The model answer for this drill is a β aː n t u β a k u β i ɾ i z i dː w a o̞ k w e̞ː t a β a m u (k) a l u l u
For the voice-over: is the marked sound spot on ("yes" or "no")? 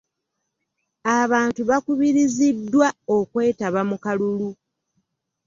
yes